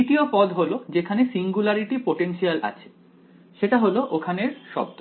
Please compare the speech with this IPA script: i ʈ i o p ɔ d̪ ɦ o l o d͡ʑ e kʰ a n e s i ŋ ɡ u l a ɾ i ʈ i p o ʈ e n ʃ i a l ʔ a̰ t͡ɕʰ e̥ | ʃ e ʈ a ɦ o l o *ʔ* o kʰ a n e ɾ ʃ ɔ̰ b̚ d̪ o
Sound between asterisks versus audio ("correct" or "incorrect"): correct